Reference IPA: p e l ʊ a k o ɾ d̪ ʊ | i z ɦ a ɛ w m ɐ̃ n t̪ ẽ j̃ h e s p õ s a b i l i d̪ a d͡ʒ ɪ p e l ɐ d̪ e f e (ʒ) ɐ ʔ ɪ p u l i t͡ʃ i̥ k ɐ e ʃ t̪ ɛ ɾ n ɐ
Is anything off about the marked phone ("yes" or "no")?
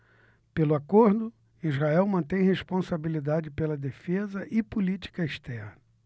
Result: yes